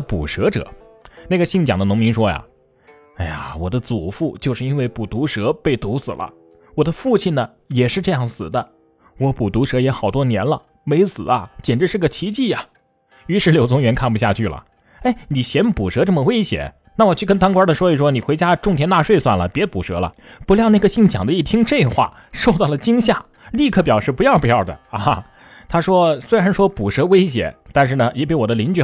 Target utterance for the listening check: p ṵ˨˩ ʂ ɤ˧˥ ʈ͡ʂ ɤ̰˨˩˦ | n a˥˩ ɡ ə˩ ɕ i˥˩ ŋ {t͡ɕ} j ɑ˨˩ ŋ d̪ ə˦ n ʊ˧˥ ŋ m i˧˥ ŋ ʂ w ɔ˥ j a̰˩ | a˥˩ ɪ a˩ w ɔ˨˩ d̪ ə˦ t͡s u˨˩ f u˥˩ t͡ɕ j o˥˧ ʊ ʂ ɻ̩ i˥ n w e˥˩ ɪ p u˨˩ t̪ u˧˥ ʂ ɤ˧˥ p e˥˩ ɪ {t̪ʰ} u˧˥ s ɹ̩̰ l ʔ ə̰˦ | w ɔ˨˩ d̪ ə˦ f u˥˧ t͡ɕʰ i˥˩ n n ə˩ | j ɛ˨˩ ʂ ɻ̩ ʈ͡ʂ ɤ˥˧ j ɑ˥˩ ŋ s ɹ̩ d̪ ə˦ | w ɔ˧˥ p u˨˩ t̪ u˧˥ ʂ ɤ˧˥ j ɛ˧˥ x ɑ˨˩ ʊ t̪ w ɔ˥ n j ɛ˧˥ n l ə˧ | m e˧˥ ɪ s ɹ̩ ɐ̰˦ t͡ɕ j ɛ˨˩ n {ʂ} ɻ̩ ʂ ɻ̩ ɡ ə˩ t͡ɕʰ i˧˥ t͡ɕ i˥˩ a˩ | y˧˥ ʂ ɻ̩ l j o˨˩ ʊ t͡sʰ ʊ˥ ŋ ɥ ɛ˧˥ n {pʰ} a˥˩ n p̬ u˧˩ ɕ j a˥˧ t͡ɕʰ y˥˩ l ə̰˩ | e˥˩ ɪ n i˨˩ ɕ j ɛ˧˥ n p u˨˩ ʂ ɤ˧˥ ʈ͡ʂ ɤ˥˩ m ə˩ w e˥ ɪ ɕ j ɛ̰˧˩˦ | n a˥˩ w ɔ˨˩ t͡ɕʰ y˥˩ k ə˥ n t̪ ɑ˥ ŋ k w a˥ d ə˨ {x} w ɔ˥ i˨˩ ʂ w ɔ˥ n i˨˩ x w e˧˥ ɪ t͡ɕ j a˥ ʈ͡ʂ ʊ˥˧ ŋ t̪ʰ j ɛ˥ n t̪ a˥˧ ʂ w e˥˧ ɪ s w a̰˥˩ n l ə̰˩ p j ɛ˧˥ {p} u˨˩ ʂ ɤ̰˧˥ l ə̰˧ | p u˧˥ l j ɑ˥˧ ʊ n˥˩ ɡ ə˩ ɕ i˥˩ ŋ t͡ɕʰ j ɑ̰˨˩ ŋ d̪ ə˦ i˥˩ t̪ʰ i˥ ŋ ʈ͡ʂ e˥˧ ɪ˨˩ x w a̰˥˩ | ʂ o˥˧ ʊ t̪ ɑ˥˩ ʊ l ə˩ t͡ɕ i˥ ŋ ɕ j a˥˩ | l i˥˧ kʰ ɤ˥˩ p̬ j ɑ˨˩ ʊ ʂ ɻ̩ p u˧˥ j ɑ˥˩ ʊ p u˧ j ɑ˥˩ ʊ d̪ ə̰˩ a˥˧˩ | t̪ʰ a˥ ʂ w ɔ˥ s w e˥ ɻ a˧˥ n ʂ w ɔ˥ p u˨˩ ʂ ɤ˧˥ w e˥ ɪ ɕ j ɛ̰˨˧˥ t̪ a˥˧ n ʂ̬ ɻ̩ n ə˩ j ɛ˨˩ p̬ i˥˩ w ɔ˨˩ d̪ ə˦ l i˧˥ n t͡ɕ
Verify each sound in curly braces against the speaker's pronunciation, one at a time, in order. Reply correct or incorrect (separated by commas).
correct, incorrect, incorrect, incorrect, incorrect, correct